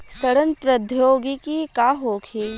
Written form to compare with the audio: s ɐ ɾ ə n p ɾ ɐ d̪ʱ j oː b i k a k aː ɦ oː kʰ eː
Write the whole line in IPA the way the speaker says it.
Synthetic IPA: s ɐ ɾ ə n p ɾ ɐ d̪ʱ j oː ɡ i k i k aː ɦ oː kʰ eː